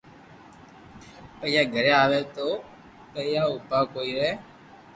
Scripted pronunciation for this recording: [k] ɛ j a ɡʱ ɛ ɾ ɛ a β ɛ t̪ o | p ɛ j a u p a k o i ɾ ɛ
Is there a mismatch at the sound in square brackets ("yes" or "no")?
yes